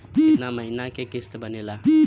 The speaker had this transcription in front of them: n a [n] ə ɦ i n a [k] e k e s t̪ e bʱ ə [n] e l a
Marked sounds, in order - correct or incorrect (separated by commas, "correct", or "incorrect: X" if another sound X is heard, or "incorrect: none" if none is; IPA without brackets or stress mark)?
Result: incorrect: m, correct, correct